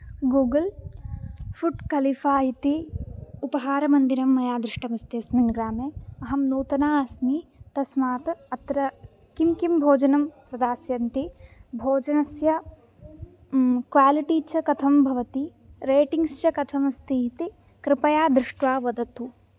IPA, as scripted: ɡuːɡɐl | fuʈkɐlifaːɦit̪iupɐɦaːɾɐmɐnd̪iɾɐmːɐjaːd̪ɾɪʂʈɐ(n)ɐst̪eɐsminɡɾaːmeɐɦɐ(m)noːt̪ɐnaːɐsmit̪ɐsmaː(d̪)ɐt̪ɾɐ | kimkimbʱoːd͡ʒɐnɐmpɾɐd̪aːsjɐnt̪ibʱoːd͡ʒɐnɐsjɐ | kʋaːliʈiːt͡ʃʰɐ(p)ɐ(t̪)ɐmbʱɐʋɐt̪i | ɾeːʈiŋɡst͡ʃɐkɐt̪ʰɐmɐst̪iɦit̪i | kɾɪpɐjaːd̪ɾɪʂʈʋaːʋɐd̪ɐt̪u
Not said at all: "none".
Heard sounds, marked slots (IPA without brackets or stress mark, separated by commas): m, m, t̪, k, t̪ʰ